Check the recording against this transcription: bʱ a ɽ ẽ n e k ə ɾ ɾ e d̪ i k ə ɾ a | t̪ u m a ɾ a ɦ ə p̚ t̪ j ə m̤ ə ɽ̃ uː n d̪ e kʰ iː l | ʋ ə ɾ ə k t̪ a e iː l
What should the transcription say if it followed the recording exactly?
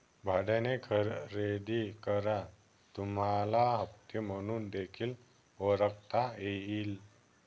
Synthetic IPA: bʱ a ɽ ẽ n e kʰ ə ɾ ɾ e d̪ i k ə ɾ a | t̪ u m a l a ɦ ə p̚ t̪ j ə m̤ ə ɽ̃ uː n d̪ e kʰ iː l | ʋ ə ɾ ə k t̪ a e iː l